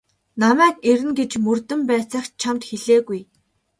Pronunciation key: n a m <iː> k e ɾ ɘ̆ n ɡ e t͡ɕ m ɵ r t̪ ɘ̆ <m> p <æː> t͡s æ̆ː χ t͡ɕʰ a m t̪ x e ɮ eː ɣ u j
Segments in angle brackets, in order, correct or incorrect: incorrect: æː, correct, correct

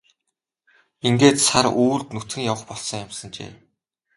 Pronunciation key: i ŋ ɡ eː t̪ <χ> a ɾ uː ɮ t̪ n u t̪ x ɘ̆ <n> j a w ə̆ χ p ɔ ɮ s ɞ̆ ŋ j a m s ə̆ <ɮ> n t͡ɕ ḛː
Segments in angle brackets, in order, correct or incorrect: incorrect: s, incorrect: ŋ, incorrect: none

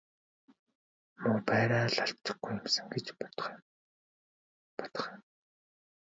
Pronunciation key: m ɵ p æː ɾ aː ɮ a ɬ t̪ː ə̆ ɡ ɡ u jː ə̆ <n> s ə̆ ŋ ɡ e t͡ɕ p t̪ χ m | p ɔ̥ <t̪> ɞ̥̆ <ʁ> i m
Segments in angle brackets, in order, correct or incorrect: incorrect: m, correct, incorrect: χ

